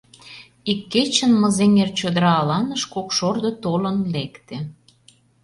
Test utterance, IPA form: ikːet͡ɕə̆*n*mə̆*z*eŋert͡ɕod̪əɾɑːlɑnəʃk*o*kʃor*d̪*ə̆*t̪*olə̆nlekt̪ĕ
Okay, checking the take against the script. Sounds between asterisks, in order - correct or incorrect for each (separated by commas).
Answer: correct, correct, correct, correct, correct